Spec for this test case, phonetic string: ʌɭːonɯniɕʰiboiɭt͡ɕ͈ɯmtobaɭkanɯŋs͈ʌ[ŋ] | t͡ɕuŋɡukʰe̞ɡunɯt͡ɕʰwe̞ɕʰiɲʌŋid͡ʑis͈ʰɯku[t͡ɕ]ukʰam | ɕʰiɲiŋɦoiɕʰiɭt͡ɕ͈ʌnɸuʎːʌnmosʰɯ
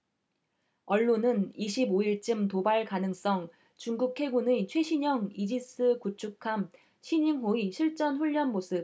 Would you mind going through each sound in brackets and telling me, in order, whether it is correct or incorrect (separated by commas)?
correct, incorrect